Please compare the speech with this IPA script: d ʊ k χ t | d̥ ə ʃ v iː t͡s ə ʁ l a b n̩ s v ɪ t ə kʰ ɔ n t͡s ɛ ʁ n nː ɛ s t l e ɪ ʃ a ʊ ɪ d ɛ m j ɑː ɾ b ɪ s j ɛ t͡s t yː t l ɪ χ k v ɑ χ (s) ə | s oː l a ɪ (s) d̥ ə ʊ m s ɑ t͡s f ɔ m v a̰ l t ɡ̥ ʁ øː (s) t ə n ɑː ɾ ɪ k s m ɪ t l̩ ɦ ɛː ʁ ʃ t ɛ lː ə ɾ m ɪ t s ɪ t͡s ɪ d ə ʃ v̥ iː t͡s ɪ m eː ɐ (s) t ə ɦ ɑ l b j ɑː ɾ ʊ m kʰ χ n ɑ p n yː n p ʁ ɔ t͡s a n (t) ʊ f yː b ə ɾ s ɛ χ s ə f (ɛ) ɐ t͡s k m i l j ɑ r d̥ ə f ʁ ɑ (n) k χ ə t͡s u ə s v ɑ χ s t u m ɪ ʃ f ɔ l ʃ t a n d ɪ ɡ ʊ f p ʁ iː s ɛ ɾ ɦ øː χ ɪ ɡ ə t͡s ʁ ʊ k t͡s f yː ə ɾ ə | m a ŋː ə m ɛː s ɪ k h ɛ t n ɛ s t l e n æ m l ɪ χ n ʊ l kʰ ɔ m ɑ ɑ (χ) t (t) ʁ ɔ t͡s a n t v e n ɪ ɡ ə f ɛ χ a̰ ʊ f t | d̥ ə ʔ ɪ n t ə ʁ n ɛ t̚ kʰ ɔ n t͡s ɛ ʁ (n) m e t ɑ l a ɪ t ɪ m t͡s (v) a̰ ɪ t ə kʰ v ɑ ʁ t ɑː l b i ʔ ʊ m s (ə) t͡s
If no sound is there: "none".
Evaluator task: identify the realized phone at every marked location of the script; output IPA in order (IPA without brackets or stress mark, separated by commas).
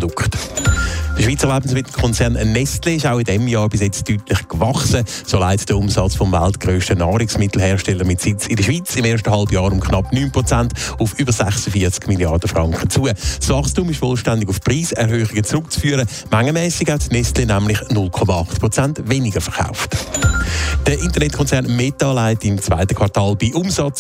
s, t, ʃ, ʃ, t, i, ŋ, χ, p, n, v, ɑ